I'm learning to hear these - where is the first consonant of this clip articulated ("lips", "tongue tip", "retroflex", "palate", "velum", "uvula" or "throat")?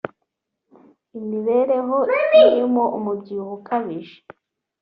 lips